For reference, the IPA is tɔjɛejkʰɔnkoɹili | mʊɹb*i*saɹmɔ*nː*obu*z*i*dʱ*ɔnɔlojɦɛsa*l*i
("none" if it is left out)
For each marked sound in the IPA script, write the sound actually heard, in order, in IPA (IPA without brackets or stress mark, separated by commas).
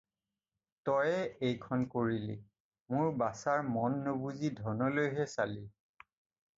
a, nː, z, dʱ, l